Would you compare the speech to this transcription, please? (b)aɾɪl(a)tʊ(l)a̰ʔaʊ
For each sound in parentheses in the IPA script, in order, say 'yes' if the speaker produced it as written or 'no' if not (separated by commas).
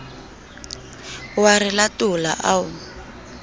no, yes, yes